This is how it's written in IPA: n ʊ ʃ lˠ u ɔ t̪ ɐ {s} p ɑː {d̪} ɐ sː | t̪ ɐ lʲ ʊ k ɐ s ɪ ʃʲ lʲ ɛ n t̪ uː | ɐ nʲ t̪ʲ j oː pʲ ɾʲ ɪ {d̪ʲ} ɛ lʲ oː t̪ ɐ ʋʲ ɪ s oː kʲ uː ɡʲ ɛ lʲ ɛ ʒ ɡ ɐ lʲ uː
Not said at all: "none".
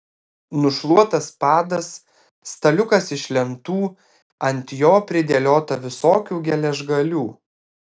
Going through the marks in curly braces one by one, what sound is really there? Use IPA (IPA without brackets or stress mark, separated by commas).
s, d̪, d̪ʲ